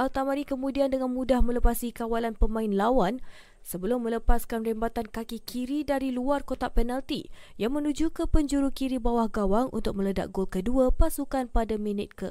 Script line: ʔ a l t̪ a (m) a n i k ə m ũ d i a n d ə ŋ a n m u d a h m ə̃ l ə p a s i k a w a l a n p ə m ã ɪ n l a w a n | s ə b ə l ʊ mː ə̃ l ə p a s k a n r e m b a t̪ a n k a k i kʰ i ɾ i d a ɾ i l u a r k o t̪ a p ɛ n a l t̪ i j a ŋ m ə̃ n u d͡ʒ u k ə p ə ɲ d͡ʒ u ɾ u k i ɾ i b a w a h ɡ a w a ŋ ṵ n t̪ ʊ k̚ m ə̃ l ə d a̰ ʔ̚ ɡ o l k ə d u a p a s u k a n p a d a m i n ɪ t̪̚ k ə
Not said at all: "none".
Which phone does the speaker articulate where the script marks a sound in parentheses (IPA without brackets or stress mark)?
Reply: m